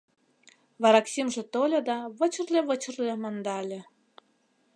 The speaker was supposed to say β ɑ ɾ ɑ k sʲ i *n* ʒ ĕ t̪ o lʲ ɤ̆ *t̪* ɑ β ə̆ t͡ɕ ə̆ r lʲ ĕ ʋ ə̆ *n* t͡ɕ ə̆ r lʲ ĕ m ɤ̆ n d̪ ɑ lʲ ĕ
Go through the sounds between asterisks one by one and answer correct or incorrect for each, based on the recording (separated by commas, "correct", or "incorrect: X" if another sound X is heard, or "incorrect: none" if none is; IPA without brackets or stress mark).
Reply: incorrect: m, incorrect: d̪, incorrect: none